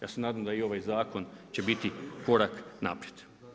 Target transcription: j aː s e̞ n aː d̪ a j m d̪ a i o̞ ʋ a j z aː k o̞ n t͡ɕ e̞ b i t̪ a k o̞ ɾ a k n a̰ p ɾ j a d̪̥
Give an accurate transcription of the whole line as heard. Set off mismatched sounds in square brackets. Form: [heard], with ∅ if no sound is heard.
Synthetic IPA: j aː s e̞ n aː d̪ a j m d̪ a i o̞ ʋ a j z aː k o̞ n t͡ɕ e̞ b i t̪ [i] k o̞ ɾ a k n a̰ p ɾ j [e] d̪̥